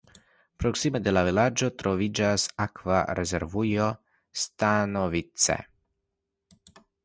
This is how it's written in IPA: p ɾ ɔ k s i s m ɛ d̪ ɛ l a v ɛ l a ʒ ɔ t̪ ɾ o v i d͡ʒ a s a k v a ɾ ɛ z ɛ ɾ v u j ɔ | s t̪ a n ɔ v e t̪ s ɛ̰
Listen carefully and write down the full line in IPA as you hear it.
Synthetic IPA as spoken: p ɾ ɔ k s i m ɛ d̪ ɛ l a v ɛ l a d͡ʒ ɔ t̪ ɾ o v i d͡ʒ a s a k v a ɾ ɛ z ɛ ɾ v u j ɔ | s t̪ a n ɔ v i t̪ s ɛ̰